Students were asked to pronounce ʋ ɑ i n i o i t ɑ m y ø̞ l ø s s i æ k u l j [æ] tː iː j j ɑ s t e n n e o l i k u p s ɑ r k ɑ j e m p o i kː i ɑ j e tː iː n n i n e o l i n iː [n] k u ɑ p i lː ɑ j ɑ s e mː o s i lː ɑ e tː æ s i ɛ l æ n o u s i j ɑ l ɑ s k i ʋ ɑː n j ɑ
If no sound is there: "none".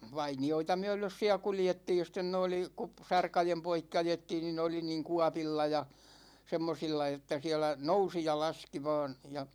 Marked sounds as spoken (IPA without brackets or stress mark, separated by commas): e, ŋ